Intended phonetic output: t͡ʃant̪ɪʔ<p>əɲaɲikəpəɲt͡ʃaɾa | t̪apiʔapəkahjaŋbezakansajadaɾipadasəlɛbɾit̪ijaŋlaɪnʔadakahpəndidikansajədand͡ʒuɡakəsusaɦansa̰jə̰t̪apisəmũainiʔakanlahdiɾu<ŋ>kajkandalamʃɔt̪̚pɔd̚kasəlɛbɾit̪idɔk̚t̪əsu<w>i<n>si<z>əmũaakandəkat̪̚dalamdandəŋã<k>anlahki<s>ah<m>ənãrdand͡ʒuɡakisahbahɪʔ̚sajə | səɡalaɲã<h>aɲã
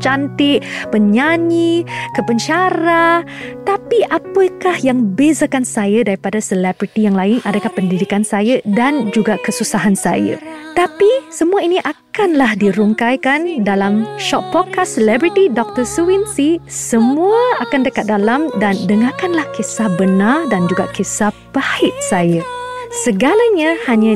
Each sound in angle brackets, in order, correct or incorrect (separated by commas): correct, correct, correct, correct, incorrect, correct, correct, incorrect, correct